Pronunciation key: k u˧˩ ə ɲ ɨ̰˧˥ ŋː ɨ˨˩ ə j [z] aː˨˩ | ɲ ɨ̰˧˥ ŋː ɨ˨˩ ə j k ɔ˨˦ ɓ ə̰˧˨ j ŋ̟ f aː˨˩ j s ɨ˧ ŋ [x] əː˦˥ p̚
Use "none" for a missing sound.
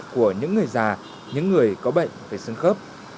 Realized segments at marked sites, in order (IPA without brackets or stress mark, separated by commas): z, x